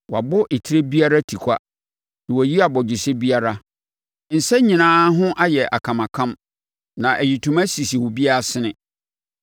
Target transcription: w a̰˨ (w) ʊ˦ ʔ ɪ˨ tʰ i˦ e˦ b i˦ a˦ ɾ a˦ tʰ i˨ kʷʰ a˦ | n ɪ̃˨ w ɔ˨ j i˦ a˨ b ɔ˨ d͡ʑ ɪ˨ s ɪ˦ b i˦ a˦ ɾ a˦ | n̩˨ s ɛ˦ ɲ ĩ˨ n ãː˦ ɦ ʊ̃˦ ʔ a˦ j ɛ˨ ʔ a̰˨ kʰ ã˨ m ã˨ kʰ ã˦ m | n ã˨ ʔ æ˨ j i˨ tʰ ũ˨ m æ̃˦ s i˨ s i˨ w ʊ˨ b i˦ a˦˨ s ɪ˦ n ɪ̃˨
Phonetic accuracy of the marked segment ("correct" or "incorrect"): incorrect